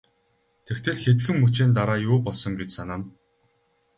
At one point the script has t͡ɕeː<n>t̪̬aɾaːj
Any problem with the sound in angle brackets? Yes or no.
no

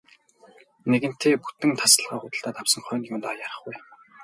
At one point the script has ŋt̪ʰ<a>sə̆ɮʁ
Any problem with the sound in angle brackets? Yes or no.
no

